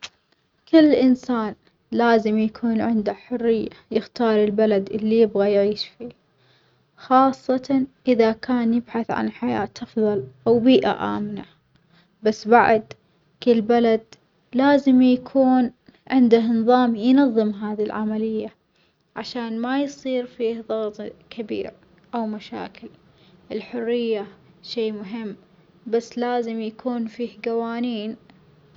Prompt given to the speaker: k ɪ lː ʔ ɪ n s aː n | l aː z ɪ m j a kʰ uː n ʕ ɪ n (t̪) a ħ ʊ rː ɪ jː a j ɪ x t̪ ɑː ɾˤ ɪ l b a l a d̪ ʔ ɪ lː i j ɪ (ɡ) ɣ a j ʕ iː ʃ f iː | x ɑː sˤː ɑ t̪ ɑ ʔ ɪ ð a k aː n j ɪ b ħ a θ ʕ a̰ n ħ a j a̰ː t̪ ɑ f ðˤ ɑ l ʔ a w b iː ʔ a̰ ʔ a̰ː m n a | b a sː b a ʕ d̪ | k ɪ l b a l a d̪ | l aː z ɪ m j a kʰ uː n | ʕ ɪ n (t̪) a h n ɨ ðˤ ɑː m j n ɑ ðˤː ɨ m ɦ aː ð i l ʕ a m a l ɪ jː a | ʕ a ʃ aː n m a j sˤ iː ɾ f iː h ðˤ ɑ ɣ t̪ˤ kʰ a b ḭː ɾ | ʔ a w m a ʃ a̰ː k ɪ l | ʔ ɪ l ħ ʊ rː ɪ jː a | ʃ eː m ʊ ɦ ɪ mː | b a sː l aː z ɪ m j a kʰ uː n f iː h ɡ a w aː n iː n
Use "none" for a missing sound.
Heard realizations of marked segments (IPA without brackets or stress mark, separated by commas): d̪, b, d̪